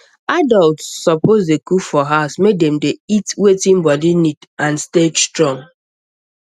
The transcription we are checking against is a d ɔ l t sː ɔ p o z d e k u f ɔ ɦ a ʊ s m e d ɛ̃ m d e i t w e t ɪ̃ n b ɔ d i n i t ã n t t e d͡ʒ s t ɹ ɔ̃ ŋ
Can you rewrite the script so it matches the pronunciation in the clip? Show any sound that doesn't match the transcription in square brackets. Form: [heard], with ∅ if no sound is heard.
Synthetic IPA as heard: a d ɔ l t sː ɔ p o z d e k u f ɔ ɦ a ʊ s m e d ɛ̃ m d e i t w e t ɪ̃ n b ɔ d i n i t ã n [s] t e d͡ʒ s t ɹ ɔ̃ ŋ